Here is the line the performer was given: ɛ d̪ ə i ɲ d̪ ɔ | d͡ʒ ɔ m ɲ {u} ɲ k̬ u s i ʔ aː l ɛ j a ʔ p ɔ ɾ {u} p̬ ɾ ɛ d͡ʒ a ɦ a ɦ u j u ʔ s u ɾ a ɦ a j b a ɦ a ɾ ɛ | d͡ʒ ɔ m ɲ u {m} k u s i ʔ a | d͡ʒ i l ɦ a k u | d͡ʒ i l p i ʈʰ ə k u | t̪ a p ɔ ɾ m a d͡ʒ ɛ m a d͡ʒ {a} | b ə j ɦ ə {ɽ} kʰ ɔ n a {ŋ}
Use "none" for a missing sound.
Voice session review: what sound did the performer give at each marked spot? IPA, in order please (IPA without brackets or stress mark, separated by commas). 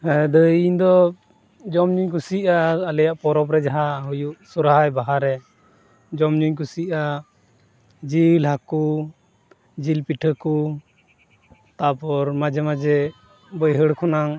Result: u, ɔ, ɲ, ɛ, ɽ, ŋ